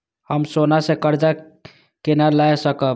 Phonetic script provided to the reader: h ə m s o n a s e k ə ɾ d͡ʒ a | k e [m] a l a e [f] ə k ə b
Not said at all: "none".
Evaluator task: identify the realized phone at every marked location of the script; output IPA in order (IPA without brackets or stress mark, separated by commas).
n, s